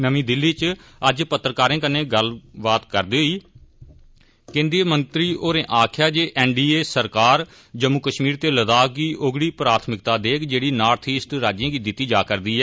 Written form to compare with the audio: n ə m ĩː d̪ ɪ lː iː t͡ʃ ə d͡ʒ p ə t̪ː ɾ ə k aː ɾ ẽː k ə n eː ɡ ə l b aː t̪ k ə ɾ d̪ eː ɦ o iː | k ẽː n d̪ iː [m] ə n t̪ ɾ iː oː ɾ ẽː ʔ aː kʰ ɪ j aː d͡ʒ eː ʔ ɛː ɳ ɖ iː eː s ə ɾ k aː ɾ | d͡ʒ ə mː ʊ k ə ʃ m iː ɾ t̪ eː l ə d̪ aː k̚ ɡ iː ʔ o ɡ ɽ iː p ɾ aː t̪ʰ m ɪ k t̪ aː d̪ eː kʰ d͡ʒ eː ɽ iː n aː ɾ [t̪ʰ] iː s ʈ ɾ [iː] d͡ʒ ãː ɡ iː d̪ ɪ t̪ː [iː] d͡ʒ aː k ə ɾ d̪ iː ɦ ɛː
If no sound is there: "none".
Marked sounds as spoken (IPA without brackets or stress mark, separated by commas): m, t̪ʰ, aː, iː